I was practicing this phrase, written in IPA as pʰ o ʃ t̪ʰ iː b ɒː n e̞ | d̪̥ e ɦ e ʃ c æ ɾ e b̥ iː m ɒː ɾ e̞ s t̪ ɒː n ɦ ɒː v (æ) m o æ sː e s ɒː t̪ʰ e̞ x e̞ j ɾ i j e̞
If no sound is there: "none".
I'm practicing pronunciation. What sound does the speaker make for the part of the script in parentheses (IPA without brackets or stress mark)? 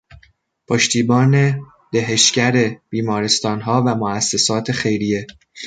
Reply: æ